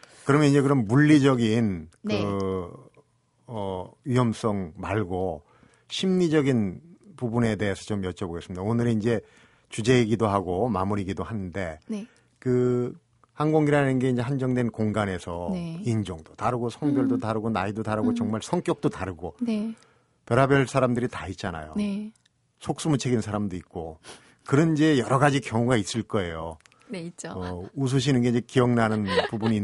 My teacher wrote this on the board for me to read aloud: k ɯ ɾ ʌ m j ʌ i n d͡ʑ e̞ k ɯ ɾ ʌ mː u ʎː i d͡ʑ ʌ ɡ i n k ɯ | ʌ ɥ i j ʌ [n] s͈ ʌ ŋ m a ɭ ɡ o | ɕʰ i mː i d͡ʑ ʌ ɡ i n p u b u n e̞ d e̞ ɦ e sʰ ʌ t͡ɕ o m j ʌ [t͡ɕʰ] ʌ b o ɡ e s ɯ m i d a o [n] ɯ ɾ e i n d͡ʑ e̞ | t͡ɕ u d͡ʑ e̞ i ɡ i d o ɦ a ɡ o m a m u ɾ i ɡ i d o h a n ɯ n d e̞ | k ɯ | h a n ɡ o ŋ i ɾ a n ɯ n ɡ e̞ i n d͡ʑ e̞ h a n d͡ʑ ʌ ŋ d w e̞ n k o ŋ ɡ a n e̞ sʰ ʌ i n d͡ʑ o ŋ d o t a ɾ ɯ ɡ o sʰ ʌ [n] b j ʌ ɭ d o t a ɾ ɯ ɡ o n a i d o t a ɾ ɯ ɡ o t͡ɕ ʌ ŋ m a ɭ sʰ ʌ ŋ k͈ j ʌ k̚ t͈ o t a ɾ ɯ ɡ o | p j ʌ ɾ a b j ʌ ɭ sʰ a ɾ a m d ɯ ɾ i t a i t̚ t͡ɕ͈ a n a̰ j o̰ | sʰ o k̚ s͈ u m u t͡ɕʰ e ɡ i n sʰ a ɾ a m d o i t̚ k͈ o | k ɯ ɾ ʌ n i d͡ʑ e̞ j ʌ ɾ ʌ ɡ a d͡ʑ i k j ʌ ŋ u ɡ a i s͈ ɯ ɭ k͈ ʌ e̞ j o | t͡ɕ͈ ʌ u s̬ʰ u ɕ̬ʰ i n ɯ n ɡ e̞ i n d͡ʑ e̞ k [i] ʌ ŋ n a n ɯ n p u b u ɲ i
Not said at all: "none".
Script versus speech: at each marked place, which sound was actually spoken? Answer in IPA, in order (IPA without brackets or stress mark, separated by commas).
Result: m, t͡ɕʰ, n, ŋ, i